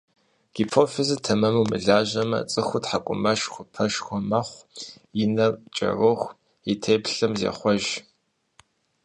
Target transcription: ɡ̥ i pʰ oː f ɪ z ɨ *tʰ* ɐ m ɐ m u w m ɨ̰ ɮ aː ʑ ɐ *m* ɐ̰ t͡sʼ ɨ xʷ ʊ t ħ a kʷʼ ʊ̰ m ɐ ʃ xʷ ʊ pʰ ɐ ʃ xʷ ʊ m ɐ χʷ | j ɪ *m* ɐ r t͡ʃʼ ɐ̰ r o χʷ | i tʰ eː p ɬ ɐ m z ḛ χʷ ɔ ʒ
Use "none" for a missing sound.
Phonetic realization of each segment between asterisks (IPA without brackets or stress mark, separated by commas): tʰ, m, n